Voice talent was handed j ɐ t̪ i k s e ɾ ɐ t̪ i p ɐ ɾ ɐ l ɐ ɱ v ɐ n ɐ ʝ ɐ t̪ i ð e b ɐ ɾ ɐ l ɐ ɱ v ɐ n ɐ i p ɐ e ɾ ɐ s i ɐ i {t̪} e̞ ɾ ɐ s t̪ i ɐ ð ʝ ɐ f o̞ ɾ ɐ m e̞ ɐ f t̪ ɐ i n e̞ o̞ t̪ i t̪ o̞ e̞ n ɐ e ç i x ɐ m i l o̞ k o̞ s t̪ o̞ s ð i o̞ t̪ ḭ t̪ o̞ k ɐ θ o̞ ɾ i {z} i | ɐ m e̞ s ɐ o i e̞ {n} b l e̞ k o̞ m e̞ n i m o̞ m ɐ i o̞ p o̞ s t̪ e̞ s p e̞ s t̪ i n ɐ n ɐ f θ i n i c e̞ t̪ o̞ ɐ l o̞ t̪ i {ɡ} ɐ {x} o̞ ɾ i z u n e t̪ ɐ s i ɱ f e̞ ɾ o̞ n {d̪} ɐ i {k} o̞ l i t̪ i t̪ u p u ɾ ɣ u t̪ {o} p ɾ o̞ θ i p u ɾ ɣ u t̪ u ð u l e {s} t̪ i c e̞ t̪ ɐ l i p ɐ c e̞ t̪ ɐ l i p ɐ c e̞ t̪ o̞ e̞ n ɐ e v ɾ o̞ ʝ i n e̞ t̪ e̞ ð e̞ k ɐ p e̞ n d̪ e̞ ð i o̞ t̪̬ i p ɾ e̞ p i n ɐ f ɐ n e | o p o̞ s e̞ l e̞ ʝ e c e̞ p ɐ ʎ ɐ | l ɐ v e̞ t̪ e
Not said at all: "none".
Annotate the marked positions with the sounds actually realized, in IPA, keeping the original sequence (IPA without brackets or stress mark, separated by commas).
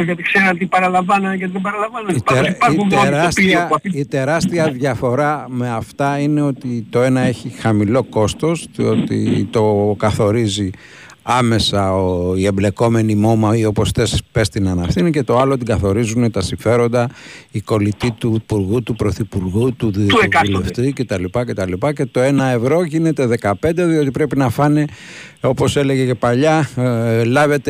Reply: t̪, z, m, ɡ, θ, d̪, k, u, f